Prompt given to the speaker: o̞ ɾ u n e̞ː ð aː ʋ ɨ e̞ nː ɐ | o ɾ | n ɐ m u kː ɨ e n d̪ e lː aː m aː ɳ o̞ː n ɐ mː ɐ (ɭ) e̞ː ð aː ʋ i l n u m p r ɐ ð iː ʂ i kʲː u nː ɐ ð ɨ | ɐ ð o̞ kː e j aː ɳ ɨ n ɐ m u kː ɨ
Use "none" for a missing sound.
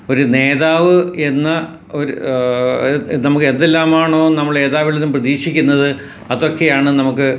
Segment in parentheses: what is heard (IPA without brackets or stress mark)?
ɭ